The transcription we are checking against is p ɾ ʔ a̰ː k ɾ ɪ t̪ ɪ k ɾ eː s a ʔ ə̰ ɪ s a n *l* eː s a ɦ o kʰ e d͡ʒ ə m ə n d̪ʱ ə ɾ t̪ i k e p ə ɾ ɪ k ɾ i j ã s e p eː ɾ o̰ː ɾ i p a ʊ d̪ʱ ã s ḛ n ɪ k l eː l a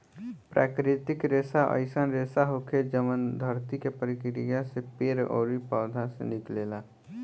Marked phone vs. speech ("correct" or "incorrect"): incorrect